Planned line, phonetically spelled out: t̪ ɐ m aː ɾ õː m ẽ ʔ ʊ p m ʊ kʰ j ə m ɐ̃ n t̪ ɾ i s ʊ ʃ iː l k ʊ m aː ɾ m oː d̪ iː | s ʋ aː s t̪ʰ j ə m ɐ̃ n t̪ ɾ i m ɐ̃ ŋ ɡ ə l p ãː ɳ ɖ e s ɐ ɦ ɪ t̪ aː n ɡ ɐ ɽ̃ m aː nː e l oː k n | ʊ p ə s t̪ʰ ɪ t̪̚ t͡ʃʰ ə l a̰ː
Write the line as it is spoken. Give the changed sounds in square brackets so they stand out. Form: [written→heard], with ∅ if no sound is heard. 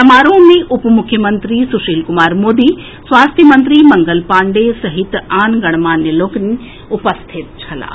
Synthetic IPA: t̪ ɐ m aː ɾ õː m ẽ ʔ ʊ p m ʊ kʰ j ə m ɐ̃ n t̪ ɾ i s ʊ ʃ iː l k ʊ m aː ɾ m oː d̪ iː | s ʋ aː s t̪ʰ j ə m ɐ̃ n t̪ ɾ i m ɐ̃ ŋ ɡ ə l p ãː ɳ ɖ e s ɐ ɦ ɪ t̪ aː n ɡ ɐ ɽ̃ m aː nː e l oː k n | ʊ p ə s t̪ʰ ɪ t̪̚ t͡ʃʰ [ə→ɐ] l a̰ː

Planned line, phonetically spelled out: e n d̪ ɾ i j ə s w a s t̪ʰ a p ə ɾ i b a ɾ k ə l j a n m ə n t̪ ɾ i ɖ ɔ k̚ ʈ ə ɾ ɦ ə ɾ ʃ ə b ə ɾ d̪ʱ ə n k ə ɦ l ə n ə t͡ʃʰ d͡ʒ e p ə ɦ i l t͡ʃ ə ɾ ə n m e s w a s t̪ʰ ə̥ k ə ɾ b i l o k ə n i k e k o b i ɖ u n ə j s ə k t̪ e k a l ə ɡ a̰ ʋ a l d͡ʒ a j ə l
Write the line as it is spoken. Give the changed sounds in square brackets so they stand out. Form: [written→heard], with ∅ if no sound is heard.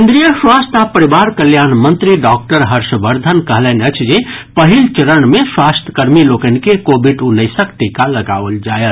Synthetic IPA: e n d̪ ɾ i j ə s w a s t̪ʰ a p ə ɾ i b a ɾ k ə l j a n m ə n t̪ ɾ i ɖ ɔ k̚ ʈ ə ɾ ɦ ə ɾ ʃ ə b ə ɾ d̪ʱ ə n k ə ɦ l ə n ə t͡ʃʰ d͡ʒ e p ə ɦ i l t͡ʃ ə ɾ ə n m e s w a s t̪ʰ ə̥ k ə ɾ [b→m] i l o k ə n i k e k o b i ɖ u n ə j s ə k t̪ [e→i] k a l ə ɡ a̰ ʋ [a→ə] l d͡ʒ a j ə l

